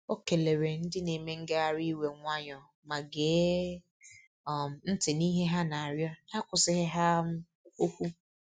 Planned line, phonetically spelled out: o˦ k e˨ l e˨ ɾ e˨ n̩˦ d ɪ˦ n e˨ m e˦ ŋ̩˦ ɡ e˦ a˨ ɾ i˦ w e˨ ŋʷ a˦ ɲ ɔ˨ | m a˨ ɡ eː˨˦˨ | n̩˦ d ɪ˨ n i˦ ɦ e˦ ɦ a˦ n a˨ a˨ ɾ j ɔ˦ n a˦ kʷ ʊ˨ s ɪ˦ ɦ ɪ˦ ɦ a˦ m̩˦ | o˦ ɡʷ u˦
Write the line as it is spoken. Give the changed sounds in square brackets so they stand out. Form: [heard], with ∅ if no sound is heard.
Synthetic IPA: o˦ k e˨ l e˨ ɾ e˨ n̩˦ d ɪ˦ n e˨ m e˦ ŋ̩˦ ɡ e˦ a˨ ɾ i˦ w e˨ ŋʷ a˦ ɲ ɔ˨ | m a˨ ɡ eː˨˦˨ | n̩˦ [t] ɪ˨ n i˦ ɦ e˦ ɦ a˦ n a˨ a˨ ɾ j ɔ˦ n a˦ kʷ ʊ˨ s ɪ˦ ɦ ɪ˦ ɦ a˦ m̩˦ | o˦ [kʷ] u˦